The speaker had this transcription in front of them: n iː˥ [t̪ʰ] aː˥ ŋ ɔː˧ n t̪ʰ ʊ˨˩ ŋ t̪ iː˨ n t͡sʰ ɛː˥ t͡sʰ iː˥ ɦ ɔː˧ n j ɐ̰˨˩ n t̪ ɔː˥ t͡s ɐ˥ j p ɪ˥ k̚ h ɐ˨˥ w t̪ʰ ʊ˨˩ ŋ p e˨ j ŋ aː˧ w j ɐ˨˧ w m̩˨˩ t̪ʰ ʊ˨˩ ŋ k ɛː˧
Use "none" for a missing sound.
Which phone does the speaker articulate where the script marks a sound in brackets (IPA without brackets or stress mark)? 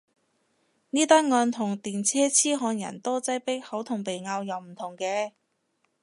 t̪